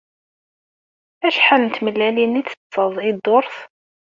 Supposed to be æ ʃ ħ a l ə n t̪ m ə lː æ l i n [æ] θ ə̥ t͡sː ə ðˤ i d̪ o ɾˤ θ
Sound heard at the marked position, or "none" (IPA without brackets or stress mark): i